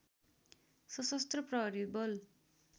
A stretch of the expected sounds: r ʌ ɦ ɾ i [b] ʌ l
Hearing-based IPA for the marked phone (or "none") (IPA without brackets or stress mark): b